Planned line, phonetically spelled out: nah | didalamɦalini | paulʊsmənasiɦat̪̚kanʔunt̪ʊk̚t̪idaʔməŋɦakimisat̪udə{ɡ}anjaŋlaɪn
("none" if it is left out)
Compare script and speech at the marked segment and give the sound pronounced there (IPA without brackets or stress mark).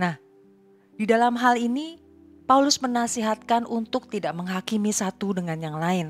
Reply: ŋ